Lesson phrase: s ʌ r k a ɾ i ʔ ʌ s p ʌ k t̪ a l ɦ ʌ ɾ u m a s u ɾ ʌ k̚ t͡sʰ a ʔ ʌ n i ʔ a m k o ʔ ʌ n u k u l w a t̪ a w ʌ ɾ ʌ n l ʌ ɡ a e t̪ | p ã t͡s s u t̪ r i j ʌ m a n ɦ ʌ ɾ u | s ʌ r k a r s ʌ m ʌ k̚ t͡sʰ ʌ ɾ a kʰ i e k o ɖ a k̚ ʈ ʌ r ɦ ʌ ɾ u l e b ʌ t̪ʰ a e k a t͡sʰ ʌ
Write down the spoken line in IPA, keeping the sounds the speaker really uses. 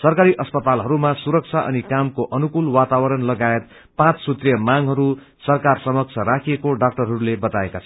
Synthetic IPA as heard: s ʌ r k a ɾ i ʔ ʌ s p ʌ t̪ a l ɦ ʌ ɾ u m a s u ɾ ʌ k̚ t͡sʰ a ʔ ʌ n i k a m k o ʔ ʌ n u k u l w a t̪ a w ʌ ɾ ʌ n l ʌ ɡ a e t̪ | p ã t͡s s u t̪ r i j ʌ m a ŋ ɦ ʌ ɾ u | s ʌ r k a r s ʌ m ʌ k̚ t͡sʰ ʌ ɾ a kʰ i e k o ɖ a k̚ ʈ ʌ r ɦ ʌ ɾ u l e b ʌ t̪ a e k a t͡sʰ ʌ

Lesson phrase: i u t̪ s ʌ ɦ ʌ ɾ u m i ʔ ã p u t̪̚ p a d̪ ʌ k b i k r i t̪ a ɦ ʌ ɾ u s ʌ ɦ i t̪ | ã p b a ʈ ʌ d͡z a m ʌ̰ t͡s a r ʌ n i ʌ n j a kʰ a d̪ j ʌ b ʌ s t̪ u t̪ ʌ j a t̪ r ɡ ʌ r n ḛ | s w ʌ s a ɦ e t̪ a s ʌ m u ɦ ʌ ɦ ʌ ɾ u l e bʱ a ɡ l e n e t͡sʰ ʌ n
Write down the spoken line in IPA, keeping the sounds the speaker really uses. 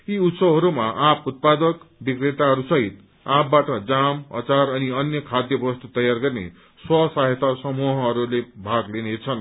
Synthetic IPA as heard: i u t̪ s ʌ ɦ ʌ ɾ u m a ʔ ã p u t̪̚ p a d̪ ʌ k b i k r e t̪ a ɦ ʌ ɾ u s ʌ ɦ i t̪ | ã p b a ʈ ʌ d͡z a m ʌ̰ t͡s a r ʌ n i ʌ n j ʌ kʰ a d̪ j ʌ b ʌ s t̪ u t̪ ʌ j a r ɡ ʌ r n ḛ | s w ʌ s a ɦ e t̪ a s ʌ m u ɦ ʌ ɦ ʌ ɾ u l e bʱ a ɡ l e n e t͡sʰ ʌ n

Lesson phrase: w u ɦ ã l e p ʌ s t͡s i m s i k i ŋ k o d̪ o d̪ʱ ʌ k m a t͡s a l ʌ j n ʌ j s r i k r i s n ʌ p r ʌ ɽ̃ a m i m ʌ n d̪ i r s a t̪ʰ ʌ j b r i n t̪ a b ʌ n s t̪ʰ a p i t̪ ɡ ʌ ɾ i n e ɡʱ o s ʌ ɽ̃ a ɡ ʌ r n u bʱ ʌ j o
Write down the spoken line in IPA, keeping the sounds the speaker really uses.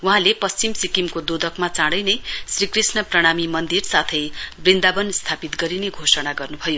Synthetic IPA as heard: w u ɦ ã l e p ʌ s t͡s i m s i k i m k o d̪ o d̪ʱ ʌ k m a t͡s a ɽ ʌ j n ʌ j s r i k r i s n ʌ p r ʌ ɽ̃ a m i m ʌ n d̪ i r s a t̪ʰ ʌ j b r i n d̪ a b ʌ n s t̪ʰ a p i t̪ ɡ ʌ ɾ i n e ɡʱ o s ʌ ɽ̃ a ɡ ʌ r n u bʱ ʌ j o

